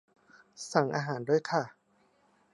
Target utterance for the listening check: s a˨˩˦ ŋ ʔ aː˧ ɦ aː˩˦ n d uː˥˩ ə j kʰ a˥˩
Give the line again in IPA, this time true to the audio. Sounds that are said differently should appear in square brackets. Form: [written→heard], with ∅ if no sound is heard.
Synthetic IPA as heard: s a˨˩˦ ŋ ʔ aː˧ ɦ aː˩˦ n d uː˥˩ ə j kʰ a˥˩